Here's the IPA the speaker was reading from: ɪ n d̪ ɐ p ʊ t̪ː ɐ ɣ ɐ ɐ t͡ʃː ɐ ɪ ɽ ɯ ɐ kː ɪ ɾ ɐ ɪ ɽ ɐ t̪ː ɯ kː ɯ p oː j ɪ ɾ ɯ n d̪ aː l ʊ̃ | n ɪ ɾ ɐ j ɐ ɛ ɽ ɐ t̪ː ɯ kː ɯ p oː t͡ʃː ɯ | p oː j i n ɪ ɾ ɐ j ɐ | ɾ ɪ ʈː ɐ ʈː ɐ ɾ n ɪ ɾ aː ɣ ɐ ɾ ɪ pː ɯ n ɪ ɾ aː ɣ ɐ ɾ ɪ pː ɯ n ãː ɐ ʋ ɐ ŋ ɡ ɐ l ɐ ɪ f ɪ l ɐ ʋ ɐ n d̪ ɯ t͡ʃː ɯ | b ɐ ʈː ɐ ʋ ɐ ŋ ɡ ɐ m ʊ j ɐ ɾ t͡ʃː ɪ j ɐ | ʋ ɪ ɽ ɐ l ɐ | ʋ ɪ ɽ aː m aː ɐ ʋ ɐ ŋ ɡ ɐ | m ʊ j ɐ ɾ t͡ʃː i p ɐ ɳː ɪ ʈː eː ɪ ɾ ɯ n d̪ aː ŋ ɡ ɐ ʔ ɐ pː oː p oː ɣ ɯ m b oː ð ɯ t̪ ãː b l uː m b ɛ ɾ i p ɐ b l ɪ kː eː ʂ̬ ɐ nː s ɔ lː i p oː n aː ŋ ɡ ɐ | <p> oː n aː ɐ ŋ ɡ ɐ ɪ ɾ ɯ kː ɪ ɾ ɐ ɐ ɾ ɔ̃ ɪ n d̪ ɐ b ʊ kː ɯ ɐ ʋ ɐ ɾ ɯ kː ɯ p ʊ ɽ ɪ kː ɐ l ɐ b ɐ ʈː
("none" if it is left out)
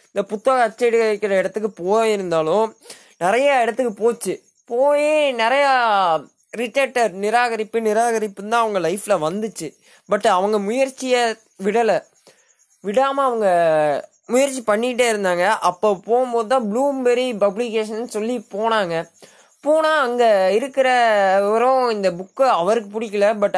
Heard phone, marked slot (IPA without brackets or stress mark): p